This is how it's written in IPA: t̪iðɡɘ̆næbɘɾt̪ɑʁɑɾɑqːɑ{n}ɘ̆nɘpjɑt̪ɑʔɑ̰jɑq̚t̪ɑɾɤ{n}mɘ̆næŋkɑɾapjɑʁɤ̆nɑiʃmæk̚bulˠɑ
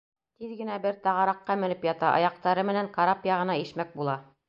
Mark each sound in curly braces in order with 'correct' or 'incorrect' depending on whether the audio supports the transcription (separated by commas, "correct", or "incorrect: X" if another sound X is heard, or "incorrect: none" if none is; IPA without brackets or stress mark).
incorrect: m, incorrect: none